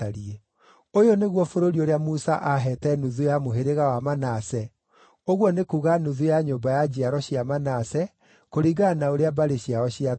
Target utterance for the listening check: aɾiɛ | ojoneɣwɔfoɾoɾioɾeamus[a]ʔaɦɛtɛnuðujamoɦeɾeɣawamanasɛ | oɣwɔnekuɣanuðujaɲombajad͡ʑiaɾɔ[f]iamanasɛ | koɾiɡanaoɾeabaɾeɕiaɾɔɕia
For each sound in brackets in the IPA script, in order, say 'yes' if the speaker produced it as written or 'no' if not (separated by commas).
yes, no